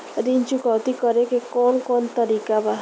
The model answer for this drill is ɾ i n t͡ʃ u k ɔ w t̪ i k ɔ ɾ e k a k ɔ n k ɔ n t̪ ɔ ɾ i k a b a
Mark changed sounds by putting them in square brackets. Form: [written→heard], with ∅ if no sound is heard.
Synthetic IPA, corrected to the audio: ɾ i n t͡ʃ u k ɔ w t̪ i k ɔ ɾ e k [a→e] k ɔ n k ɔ n t̪ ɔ ɾ i k a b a